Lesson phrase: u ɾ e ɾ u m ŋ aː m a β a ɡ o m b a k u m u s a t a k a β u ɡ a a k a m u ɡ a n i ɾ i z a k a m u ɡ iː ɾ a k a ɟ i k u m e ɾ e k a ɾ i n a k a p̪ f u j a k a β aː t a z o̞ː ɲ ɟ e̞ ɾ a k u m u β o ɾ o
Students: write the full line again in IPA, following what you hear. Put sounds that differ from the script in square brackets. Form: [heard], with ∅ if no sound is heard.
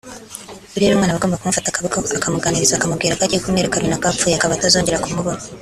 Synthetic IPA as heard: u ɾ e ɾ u m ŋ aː [n] a β a ɡ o m b a k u m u [f] a t a k a β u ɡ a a k a m u ɡ a n i ɾ i z a k a m u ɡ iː ɾ a k a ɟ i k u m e ɾ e k a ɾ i n a k a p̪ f u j a k a β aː t a z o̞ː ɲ ɟ e̞ ɾ a k u m u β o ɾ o